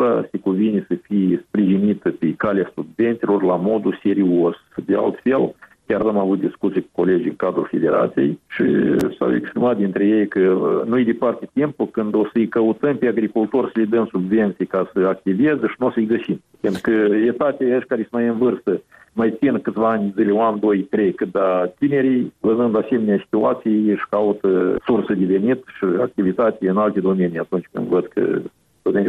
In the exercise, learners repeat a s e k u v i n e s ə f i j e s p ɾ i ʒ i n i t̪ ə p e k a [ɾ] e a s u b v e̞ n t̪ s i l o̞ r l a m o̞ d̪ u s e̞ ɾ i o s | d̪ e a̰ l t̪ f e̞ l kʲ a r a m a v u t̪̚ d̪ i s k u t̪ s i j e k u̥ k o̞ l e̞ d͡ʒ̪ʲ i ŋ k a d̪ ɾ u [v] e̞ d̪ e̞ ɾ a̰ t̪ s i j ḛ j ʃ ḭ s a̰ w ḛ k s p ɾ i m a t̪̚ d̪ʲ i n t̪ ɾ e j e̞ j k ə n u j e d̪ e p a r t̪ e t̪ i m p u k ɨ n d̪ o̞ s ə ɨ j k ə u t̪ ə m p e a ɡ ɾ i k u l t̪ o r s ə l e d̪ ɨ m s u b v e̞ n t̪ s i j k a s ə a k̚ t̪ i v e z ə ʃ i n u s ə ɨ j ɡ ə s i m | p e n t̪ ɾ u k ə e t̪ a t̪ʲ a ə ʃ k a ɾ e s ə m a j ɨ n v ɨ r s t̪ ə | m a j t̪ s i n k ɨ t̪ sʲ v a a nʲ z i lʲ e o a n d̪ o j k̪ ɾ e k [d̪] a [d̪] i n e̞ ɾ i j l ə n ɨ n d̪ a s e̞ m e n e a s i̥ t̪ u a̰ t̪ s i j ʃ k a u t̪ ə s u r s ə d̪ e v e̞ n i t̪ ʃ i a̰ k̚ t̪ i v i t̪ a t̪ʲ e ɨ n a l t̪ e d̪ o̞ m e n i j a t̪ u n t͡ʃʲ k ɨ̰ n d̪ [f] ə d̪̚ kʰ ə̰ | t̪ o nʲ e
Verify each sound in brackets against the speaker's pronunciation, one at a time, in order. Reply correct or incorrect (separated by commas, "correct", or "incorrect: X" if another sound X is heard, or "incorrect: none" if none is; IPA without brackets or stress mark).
incorrect: l, incorrect: f, correct, incorrect: t̪, incorrect: v